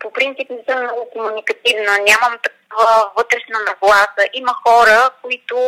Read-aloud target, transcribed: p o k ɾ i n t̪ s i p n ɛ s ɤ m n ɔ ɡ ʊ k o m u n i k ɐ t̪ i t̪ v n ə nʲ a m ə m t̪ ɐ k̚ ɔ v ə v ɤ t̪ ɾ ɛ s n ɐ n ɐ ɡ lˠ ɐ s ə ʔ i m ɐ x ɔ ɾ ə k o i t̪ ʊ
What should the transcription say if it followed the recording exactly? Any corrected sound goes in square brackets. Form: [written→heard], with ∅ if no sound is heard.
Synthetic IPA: p o [k→p] ɾ i n t̪ s i p n ɛ s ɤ m n ɔ ɡ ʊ k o m u n i k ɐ t̪ i [t̪→∅] v n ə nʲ a m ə m t̪ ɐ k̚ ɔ v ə v ɤ t̪ ɾ ɛ [s→ʃ] n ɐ n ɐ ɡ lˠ [ɐ→a] s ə ʔ i m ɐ x ɔ ɾ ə k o i t̪ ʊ